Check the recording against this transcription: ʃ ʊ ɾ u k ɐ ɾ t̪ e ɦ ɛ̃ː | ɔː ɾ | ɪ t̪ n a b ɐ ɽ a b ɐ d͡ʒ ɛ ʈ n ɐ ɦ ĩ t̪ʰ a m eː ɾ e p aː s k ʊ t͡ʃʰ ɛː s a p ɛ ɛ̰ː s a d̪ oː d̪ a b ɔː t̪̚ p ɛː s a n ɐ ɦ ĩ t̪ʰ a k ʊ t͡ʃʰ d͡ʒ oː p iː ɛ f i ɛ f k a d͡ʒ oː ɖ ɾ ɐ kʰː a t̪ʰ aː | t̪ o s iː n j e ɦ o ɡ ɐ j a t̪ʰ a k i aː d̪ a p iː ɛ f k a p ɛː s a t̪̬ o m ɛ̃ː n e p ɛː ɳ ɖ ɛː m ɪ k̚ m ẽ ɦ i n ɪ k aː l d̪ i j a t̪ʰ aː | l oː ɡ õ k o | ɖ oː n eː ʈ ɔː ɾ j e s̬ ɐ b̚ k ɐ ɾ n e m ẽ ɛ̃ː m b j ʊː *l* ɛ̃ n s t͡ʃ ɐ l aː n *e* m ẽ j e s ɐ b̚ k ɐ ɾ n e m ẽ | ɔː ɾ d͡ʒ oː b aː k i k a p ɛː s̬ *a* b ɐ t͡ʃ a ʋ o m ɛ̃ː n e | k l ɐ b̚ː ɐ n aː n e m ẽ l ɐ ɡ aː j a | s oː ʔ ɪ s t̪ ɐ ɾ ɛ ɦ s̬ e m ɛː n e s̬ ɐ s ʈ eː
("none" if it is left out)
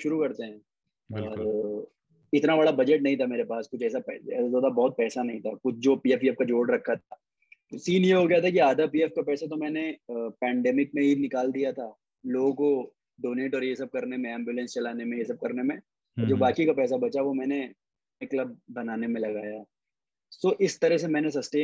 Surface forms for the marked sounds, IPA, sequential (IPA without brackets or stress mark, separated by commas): l, e, a